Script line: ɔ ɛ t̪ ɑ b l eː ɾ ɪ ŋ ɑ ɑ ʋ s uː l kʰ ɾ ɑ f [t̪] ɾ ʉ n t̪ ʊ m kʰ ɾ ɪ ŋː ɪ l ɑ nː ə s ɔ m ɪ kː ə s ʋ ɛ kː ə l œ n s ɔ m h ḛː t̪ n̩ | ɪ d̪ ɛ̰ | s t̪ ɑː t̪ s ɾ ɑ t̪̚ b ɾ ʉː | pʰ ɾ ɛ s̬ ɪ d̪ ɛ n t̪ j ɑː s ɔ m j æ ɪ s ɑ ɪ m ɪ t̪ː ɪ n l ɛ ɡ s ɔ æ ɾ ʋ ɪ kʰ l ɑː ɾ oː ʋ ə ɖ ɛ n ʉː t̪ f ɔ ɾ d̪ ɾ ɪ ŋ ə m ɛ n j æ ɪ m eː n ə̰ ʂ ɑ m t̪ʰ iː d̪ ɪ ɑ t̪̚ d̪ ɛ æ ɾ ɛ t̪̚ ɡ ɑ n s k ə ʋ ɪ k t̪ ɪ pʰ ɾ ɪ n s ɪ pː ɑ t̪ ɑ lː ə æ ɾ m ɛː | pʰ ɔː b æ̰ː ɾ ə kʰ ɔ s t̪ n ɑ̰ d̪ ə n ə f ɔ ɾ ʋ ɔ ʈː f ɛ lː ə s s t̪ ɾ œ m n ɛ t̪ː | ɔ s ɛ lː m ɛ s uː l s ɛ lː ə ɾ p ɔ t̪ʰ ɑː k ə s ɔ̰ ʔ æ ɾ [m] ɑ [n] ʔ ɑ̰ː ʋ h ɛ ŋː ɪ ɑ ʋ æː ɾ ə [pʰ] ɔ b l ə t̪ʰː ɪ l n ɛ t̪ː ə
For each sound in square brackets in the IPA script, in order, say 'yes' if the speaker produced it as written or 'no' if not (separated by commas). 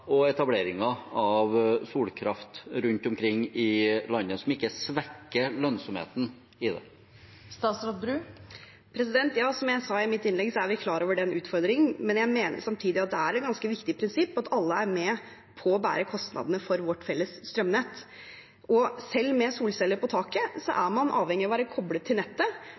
yes, yes, yes, no